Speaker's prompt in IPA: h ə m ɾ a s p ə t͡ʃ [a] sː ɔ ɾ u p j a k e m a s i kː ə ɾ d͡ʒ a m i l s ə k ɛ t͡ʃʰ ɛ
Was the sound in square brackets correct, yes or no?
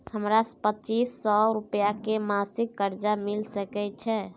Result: no